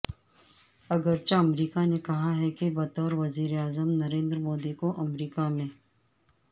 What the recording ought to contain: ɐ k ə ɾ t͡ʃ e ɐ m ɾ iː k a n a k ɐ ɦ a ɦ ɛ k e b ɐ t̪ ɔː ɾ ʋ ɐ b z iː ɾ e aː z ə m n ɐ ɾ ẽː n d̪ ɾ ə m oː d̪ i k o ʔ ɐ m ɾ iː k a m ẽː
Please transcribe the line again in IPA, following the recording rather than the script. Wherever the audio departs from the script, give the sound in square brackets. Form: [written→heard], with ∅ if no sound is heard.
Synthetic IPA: ɐ [k→ɡ] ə ɾ t͡ʃ [e→a] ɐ m ɾ iː k a n [a→e] k ɐ ɦ a ɦ ɛ k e b ɐ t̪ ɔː ɾ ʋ ɐ [b→∅] z iː ɾ e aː z ə m n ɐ ɾ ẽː n d̪ ɾ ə m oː d̪ i k o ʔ ɐ m ɾ iː k a m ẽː